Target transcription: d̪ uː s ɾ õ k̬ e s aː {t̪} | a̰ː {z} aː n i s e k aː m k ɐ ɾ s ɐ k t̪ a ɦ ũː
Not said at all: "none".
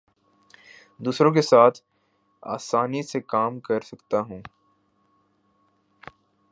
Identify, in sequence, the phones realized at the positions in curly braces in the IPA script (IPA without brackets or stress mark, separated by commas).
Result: t̪ʰ, s